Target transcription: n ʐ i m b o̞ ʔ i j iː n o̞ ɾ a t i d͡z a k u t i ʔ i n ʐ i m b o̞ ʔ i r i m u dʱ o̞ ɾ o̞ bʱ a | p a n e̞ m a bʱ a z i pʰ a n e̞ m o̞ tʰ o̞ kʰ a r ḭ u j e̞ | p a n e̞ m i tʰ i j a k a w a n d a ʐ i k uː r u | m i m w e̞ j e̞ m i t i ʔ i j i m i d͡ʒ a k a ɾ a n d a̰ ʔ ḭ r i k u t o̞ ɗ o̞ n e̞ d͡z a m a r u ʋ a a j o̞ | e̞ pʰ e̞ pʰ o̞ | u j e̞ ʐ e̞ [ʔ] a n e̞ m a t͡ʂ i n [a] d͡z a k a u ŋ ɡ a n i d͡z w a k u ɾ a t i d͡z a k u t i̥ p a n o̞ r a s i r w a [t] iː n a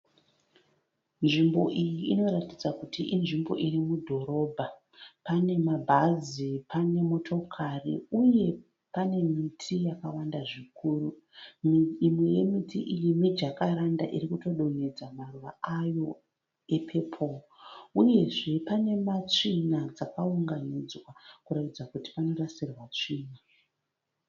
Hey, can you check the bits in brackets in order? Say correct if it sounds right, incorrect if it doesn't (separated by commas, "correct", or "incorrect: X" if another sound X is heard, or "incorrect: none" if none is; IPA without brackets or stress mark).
incorrect: p, correct, incorrect: t͡ʂ